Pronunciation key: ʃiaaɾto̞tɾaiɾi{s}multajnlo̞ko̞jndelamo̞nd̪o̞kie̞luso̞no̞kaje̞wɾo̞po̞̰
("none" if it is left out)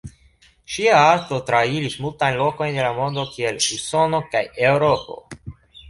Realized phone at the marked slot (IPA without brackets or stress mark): s